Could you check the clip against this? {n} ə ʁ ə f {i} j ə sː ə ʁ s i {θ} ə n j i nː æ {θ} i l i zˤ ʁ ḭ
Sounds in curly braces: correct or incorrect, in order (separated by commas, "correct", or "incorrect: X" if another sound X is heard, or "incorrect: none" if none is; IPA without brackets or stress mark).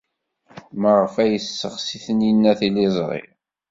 incorrect: m, incorrect: æ, correct, correct